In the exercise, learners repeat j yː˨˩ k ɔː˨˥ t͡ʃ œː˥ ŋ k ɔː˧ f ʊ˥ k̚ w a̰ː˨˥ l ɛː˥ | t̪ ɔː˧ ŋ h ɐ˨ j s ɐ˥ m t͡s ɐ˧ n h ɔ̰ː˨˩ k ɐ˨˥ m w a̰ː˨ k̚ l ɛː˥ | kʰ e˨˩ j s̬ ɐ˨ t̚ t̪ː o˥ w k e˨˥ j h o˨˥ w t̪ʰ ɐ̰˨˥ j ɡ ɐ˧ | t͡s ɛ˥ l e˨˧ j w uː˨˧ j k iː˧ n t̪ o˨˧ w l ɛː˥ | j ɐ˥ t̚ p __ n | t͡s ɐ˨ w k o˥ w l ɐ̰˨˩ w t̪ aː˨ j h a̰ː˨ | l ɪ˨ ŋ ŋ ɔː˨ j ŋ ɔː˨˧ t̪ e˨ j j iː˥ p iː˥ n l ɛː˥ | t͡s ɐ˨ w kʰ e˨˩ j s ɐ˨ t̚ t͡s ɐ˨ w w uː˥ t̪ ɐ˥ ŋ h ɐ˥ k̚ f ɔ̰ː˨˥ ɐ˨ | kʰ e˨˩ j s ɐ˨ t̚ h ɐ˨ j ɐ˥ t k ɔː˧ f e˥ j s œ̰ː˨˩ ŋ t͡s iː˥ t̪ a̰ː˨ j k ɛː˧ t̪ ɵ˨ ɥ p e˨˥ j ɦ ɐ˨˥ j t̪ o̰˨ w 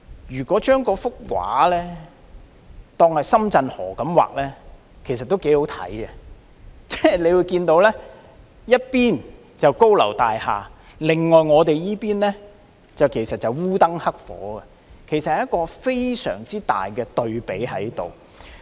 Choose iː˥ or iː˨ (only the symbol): iː˥